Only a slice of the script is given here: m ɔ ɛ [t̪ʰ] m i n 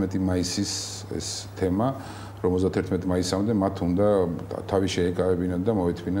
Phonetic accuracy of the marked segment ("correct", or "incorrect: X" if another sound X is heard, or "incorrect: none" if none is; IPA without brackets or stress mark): correct